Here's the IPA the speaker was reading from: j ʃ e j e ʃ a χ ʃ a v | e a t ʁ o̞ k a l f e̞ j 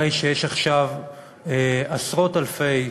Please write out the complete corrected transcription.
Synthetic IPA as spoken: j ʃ e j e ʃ a χ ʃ a v | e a s ʁ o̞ t a l f e̞ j

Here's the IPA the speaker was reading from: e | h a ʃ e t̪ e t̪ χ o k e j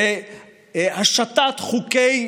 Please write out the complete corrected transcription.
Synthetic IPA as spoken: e | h a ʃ a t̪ a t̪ χ u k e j

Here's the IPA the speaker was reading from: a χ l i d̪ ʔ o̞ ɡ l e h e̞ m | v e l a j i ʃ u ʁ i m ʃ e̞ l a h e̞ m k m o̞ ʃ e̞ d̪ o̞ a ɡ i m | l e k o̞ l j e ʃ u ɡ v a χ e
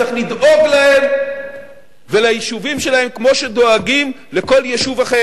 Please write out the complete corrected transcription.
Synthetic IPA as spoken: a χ l i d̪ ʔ o̞ ɡ l a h e̞ m | v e l a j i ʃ u v i m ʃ e̞ l a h e̞ m k m o̞ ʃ e̞ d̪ o̞ a ɡ i m | l e k o̞ l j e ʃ u v a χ e

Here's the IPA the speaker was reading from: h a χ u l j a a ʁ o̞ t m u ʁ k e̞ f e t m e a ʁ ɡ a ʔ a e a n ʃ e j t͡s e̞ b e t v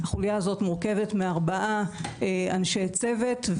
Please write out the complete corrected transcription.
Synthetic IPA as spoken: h a χ u l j a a z o̞ t m u ʁ k e̞ v e t m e a ʁ b a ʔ a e a n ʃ e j t͡s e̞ v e t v

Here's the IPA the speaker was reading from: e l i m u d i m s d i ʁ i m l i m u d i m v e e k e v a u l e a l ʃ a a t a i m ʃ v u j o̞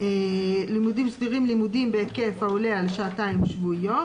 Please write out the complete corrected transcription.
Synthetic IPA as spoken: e l i m u d i m s d i ʁ i m l i m u d i m b e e k e f a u l e a l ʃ a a t a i m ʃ v u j o̞

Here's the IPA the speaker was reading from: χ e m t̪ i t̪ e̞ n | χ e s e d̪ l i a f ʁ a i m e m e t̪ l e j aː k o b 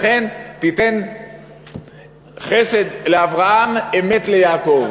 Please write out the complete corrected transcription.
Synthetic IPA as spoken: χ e n t̪ i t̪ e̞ n | χ e s e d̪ l e a v ʁ a a m e m e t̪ l e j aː k o v

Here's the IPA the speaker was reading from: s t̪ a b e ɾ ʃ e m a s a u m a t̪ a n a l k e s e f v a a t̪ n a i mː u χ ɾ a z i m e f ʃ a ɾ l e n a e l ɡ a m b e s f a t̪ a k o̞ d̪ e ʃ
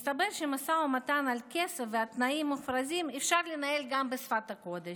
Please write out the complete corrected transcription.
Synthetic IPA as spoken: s t̪ a b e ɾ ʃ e m a s a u m a t̪ a n a l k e s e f v e a t̪ n a i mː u f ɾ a z i m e f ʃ a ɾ l e n a e l ɡ a m b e s f a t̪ a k o̞ d̪ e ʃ

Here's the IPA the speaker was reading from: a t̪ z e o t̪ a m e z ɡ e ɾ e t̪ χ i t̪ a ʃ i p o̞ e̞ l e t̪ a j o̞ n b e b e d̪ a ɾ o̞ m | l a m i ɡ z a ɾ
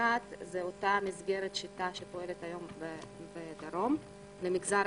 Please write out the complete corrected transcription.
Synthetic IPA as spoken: a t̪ z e o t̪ a m i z ɡ e ɾ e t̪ ʃ i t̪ a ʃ e p o̞ e̞ l e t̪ a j o̞ m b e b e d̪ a ɾ o̞ m | l e m i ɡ z a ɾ

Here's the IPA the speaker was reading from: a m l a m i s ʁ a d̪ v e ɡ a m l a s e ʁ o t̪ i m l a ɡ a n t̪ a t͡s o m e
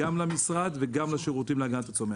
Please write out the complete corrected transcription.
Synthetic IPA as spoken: a m l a m i s ʁ a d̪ v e ɡ a m l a ʃ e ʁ u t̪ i m l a ɡ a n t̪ a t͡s o m e

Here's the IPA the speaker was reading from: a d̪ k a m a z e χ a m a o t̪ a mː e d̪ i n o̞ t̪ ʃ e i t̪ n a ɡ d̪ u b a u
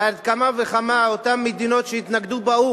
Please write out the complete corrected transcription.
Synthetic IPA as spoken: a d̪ k a m a v e χ a m a o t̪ a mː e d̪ i n o̞ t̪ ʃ e i t̪ n a ɡ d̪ u b a u

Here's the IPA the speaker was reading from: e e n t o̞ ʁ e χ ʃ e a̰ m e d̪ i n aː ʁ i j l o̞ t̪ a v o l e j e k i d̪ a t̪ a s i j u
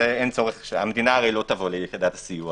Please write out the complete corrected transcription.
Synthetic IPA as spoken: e e n t͡s o̞ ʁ e χ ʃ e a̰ m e d̪ i n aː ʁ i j l o̞ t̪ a v o l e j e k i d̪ a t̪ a s i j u

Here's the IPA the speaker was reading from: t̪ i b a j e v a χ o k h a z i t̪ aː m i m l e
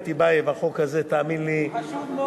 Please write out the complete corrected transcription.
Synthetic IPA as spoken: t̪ i b a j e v a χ o k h a z e t̪ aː m i n l i

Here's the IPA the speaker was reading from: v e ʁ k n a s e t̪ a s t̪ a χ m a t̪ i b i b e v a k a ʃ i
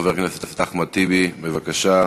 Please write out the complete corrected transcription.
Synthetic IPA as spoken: v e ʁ k n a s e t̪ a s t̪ a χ m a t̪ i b i b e v a k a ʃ a

